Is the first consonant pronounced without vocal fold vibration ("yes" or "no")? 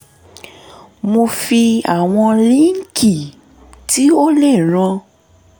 no